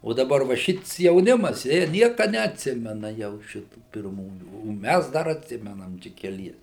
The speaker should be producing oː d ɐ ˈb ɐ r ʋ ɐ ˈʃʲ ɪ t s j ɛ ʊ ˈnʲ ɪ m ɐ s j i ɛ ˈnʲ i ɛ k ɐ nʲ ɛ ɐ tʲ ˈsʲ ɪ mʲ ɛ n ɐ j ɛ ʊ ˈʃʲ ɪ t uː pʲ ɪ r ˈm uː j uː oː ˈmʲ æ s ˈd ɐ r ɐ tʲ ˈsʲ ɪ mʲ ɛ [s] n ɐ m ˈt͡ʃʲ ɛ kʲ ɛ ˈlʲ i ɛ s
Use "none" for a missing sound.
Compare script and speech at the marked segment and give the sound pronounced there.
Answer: none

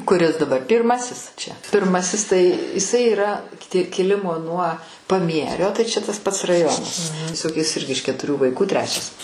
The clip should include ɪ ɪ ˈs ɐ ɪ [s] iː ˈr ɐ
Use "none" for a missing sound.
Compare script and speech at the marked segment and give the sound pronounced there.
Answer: none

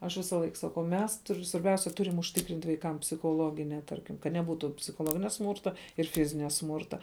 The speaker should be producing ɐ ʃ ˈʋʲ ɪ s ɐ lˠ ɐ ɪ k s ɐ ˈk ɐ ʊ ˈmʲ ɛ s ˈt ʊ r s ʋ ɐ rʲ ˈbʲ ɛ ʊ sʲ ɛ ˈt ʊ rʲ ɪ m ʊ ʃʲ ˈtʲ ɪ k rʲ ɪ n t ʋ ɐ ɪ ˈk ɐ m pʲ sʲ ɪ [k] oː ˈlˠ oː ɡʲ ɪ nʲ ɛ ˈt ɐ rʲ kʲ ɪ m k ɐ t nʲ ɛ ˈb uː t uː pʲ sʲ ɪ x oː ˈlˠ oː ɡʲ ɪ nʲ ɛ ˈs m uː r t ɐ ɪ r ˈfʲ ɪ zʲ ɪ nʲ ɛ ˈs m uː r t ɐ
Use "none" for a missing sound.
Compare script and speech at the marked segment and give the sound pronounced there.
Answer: x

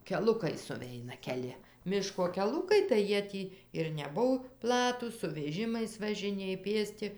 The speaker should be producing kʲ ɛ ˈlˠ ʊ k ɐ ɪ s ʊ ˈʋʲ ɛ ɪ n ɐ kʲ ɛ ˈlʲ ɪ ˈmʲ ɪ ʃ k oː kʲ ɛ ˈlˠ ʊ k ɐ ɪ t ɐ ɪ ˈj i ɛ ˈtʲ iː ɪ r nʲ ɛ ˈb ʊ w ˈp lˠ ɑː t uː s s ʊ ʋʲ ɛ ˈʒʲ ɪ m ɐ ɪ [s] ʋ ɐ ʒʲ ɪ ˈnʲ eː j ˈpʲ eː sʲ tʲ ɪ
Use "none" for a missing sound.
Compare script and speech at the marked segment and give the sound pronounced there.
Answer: s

